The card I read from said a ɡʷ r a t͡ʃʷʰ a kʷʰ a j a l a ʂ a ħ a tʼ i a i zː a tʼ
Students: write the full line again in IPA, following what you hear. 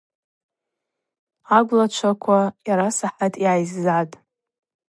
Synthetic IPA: a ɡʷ l a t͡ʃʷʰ a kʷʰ a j a ɾ a s a ħ a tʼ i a j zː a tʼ